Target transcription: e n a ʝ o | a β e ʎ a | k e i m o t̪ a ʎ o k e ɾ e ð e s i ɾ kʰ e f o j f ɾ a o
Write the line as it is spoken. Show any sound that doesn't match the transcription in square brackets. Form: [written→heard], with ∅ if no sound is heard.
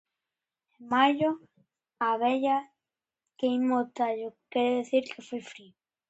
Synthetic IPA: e [n→m] a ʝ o | a β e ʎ a | k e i m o t̪ a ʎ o k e ɾ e ð e [s→θ] i ɾ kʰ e f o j f ɾ [a→i] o

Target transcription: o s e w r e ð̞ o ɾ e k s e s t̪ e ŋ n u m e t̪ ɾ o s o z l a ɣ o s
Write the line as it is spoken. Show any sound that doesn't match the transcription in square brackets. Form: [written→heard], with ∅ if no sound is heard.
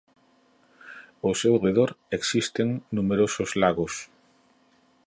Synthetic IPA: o s e w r e ð̞ o ɾ e k s [e→i] s t̪ e ŋ n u m e [t̪→∅] ɾ o s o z l a ɣ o s

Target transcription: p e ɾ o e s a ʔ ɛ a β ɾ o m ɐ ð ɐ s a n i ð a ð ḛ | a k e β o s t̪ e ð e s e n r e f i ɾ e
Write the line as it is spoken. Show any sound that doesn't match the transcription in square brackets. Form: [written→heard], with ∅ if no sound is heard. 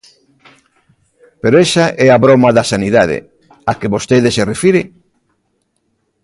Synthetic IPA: p e ɾ o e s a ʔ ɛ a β ɾ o m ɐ ð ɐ s a n i ð a ð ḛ | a k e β o s t̪ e ð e s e [n→∅] r e f i ɾ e

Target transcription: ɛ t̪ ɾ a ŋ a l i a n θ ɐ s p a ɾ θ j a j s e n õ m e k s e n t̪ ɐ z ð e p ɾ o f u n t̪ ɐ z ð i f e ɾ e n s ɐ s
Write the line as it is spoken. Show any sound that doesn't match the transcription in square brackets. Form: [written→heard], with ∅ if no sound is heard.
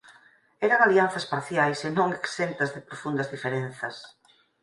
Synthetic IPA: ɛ [t̪→∅] ɾ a ŋ a l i a n θ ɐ s p a ɾ θ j a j s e n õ [m→ŋ] e k s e n t̪ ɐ z ð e p ɾ o f u n [t̪→d̪] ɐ z ð i f e ɾ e n [s→θ] ɐ s

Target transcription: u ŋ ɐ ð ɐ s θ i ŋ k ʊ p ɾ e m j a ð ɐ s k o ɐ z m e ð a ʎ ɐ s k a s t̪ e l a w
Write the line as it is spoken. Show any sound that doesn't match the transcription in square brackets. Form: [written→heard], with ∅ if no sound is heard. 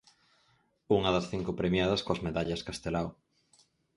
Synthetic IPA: u ŋ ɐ ð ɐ s θ i ŋ k ʊ p ɾ e m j a ð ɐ s k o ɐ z m e ð a ʎ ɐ s k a s t̪ e l a w

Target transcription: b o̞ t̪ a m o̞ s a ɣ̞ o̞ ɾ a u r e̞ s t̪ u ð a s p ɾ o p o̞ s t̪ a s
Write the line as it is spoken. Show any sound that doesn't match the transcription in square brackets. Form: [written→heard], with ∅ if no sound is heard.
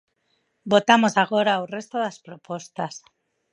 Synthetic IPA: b o̞ t̪ a m o̞ s a ɣ̞ o̞ ɾ a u r e̞ s t̪ [u→o] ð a s p ɾ o p o̞ s t̪ a s

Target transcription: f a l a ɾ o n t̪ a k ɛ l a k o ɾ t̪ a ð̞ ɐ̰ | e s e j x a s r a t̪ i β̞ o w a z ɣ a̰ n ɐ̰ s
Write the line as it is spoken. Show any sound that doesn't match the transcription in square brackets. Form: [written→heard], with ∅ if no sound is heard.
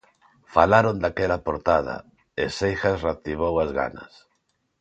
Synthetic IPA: f a l a ɾ o n [t̪→d̪] a k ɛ l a [k→p] o ɾ t̪ a ð̞ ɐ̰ | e s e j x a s r a t̪ i β̞ o w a z ɣ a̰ n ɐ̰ s

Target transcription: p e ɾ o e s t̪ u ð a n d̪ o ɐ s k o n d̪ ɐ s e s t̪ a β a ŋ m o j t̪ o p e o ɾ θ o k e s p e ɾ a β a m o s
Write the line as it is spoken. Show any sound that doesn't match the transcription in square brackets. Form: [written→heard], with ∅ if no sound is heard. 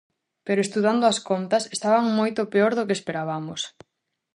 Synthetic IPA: p e ɾ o e s t̪ u ð a n d̪ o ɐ s k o n [d̪→t̪] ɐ s e s t̪ a β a ŋ m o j t̪ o p e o ɾ [θ→ð] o k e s p e ɾ a β a m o s

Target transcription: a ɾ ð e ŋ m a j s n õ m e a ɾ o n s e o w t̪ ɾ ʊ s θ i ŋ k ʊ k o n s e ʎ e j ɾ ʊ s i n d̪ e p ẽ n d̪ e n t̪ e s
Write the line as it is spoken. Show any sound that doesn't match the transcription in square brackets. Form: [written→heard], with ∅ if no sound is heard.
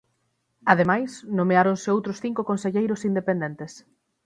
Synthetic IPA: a [ɾ→∅] ð e [ŋ→∅] m a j s n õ m e a ɾ o n s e o w t̪ ɾ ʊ s θ i ŋ k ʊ k o n s e ʎ e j ɾ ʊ s i n d̪ e p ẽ n d̪ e n t̪ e s

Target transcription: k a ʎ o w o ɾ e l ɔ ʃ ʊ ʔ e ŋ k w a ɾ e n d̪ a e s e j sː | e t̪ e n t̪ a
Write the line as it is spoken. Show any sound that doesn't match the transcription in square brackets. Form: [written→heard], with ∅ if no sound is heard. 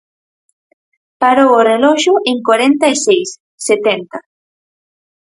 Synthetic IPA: [k→p] a [ʎ→ɾ] o w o [ɾ→r] e l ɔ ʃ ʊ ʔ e ŋ k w a ɾ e n [d̪→t̪] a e s e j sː | e t̪ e n t̪ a

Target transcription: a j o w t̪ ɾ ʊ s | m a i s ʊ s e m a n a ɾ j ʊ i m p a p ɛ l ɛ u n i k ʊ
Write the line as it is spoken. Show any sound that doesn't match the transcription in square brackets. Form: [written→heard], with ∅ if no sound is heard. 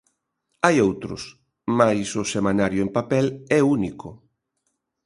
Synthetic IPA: a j o w t̪ ɾ ʊ s | m a [i→j] s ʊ s e m a n a ɾ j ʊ [i→e] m p a p ɛ l ɛ u n i k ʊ

